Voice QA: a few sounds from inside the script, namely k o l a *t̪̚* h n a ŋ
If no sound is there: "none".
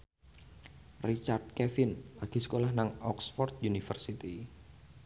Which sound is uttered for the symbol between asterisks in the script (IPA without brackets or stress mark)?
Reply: none